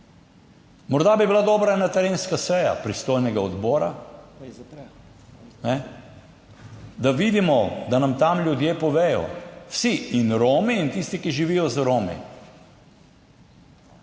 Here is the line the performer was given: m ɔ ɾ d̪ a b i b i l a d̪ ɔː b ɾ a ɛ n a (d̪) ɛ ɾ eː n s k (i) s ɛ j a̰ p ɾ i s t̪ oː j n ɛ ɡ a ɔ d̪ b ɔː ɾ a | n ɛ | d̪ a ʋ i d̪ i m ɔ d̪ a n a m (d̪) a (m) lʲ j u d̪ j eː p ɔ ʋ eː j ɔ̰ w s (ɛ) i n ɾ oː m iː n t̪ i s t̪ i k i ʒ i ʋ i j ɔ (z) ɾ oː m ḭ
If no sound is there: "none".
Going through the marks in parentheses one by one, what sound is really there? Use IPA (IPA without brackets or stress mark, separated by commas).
t̪, a, t̪, m, i, z